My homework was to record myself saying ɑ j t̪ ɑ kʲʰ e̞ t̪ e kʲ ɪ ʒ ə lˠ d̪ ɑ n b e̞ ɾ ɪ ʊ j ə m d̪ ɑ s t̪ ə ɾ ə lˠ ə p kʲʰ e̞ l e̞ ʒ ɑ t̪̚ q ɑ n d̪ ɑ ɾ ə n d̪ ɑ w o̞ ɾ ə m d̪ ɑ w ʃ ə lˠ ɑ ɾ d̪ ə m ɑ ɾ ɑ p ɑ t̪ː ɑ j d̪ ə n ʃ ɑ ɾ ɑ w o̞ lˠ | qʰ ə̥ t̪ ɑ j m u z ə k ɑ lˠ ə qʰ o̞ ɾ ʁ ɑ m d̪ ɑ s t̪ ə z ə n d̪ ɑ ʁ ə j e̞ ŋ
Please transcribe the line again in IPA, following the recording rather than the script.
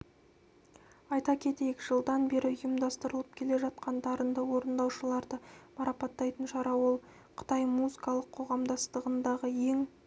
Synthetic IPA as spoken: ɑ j t̪ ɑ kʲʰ e̞ t̪ e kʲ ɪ ʒ ə lˠ d̪ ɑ n b e̞ ɾ ɪ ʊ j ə m d̪ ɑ s t̪ ə ɾ ə lˠ ə p kʲʰ e̞ l e̞ ʒ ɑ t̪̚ q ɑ n d̪ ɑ ɾ ə n d̪ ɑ w o̞ ɾ ə n d̪ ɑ w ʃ ə lˠ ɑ ɾ d̪ ə m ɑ ɾ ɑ p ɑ t̪ː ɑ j t̪ ə n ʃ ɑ ɾ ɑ w o̞ lˠ | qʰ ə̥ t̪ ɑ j m u z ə k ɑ lˠ ə qʰ o̞ ʁ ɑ m d̪ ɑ s t̪ ə ʁ ə n d̪ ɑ ʁ ə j e̞ ŋ